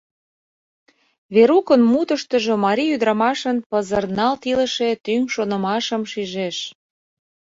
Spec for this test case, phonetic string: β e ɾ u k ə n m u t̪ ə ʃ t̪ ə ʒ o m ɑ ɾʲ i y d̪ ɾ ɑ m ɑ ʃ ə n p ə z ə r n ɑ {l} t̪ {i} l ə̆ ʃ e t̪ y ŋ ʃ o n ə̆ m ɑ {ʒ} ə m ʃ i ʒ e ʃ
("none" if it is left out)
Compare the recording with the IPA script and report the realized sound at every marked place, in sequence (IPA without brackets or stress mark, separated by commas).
l, i, ʃ